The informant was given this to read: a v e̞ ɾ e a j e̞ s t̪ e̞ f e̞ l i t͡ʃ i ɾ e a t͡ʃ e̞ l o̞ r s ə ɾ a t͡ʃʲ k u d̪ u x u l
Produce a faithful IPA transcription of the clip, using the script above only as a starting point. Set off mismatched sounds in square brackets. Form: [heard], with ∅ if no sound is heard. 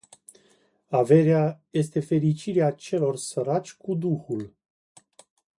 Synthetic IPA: a v e̞ ɾ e a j e̞ s t̪ e̞ f e̞ [ɾ] i t͡ʃ i ɾ e a t͡ʃ e̞ l o̞ r s ə ɾ a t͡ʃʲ k u d̪ u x u l